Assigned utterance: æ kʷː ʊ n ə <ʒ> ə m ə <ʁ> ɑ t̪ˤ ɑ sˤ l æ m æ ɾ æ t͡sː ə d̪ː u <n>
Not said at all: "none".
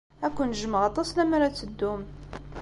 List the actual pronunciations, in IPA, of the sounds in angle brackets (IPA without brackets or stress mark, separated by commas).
ʒ, ʁ, m